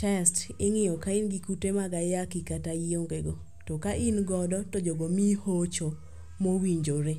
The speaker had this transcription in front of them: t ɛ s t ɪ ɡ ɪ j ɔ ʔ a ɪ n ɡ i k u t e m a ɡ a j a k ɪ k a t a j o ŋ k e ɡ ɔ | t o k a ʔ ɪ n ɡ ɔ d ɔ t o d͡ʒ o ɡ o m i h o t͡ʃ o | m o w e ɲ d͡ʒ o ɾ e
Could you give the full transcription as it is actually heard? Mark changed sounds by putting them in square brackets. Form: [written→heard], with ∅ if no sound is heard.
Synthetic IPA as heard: t ɛ s t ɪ [ɡ→ŋ] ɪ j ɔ [ʔ→k] a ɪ n ɡ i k u t e m a ɡ a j a k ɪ k a t a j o ŋ [k→ɡ] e ɡ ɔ | t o k a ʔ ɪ n ɡ ɔ d ɔ t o d͡ʒ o ɡ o m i h o t͡ʃ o | m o w [e→i] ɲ d͡ʒ o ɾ e